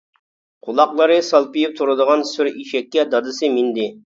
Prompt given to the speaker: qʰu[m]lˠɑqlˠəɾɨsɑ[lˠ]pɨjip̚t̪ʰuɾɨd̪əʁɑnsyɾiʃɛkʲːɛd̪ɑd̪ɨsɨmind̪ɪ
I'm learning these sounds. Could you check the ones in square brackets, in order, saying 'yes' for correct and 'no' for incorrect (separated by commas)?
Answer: no, yes